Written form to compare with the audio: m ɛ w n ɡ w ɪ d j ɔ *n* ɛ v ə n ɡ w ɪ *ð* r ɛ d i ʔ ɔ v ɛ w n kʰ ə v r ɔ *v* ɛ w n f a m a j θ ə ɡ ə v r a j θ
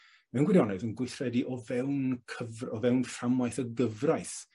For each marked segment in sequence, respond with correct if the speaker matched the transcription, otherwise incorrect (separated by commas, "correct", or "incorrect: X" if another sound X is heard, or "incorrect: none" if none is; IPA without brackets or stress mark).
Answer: correct, incorrect: θ, correct